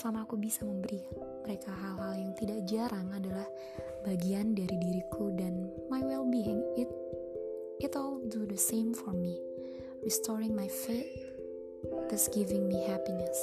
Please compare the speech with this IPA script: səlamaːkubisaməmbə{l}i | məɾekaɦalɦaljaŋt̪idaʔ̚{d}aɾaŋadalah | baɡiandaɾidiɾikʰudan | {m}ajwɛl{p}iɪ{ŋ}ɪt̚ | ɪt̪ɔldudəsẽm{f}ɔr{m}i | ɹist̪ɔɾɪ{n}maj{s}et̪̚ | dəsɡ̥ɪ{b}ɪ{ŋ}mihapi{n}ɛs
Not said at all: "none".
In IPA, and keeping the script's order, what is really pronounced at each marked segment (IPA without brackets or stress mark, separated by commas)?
ɾ, d͡ʒ, m, b, ŋ, f, m, ŋ, f, v, ŋ, n